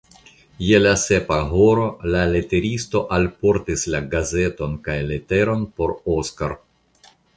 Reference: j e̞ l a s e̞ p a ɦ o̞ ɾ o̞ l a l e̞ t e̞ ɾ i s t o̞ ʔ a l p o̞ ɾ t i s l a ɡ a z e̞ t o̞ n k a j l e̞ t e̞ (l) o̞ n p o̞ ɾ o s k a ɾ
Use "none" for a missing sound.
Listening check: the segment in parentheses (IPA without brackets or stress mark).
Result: ɾ